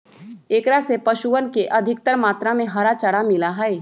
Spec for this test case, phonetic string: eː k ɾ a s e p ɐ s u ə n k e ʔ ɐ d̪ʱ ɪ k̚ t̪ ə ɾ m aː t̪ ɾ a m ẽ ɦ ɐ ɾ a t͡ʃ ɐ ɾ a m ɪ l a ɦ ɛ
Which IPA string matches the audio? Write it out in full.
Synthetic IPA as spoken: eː k ɾ a s e p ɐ ʃ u ə n k e ʔ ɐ d̪ʱ ɪ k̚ t̪ ə ɾ m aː t̪ ɾ a m ẽ ɦ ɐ ɾ a t͡ʃ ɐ ɽ a m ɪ l a ɦ ɛ